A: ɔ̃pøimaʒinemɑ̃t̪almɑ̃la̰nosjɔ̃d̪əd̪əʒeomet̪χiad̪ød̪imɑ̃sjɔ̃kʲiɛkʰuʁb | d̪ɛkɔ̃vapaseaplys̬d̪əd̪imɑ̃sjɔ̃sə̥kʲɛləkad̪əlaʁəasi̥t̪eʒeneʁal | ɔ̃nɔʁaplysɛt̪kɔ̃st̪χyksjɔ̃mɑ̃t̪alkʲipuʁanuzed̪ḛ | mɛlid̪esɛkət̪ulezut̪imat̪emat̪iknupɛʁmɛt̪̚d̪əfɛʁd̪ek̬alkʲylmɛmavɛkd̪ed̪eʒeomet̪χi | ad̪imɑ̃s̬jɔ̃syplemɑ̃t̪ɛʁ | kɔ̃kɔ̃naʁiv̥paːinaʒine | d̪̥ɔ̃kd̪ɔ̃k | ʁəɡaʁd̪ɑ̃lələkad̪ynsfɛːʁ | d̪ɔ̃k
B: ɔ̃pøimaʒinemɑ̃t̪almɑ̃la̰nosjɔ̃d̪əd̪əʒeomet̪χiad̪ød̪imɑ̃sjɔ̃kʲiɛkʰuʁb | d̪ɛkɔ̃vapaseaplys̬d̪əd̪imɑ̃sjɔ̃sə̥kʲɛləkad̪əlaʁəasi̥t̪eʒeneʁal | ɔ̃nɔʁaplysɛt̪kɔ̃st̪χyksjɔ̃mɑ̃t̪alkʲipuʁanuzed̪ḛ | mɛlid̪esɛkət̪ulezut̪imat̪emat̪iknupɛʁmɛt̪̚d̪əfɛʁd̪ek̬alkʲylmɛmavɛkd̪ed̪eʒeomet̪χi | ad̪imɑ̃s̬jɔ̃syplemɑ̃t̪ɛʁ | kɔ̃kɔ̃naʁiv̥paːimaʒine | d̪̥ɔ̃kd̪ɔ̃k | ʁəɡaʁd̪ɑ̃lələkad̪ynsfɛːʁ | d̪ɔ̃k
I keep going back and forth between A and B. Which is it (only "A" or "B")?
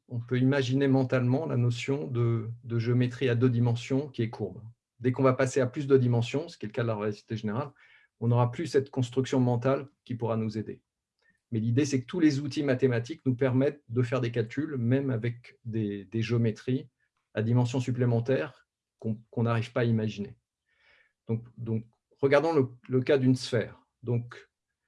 B